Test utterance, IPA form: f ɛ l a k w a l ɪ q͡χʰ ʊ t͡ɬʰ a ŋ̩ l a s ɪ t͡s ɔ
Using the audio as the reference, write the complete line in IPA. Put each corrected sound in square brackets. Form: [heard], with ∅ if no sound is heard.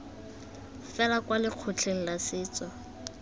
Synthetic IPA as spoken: f ɛ l a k w a l ɪ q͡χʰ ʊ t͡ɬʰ [e] ŋ̩ l a s [ɪː] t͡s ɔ